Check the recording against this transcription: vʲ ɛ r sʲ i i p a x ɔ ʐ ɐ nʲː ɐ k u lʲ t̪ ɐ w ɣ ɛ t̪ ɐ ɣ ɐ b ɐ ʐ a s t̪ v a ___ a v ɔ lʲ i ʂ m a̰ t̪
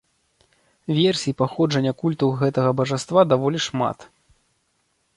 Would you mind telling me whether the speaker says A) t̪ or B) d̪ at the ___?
B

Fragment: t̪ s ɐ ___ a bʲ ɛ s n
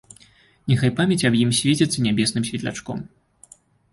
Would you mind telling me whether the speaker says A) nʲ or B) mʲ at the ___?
A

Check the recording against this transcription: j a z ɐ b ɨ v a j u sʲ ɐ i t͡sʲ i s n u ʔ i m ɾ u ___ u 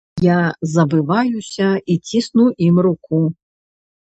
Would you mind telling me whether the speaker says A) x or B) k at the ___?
B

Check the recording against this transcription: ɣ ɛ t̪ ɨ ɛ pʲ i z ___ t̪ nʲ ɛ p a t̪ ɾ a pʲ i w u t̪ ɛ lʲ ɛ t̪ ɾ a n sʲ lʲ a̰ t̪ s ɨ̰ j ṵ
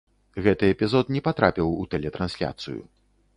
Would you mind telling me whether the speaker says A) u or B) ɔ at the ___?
B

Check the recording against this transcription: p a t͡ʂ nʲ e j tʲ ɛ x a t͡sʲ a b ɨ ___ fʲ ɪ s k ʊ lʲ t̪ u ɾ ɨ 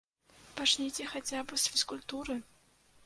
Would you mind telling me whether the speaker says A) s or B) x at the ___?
A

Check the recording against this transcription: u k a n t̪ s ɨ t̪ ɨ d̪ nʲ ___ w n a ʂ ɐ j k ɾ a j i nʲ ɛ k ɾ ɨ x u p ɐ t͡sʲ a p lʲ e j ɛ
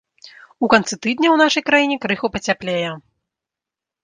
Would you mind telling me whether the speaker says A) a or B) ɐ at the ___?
B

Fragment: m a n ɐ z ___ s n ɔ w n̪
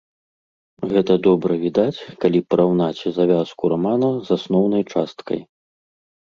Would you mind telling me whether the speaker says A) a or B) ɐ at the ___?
A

